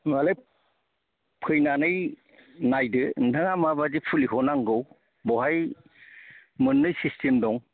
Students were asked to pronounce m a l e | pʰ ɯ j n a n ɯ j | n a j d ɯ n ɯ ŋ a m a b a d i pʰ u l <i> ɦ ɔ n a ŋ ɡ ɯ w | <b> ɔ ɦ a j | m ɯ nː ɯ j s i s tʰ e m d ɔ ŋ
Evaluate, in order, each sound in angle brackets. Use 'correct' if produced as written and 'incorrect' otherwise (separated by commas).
correct, correct